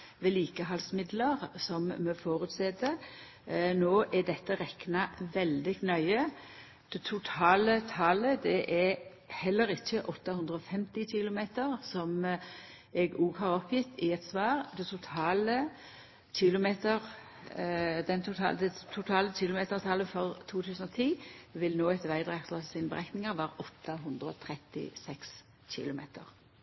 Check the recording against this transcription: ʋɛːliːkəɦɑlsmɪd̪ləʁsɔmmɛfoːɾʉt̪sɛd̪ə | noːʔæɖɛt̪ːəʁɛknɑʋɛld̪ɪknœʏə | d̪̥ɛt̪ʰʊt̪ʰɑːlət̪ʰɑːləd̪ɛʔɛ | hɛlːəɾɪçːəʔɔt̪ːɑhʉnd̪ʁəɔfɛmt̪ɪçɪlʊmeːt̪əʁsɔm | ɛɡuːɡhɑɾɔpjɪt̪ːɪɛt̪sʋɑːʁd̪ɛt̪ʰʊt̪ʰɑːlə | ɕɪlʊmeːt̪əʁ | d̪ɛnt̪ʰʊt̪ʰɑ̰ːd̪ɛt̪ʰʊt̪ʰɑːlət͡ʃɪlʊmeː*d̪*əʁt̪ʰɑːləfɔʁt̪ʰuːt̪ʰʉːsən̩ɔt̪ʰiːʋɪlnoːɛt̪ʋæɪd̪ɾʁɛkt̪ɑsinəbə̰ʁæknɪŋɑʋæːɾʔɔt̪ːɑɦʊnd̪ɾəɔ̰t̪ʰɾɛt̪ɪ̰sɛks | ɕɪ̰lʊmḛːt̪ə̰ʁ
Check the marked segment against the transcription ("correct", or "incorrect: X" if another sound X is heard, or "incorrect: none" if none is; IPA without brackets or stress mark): incorrect: t̪